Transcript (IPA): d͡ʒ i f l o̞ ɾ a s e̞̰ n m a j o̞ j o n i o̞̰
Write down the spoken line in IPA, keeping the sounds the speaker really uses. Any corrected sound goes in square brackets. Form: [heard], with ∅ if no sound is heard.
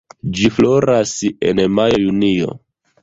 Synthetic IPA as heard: d͡ʒ i f l o̞ ɾ a s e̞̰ n m a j o̞ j [u] n i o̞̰